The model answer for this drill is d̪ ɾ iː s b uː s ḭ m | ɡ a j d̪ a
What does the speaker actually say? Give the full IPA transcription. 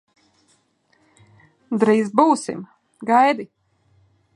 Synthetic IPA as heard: d̪ ɾ iː z b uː s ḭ m | ɡ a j d̪ i